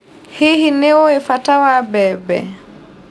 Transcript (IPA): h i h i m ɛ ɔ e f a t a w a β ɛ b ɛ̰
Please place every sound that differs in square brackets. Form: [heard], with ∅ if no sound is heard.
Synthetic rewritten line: h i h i [n] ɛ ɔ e f a t a w a [b] ɛ b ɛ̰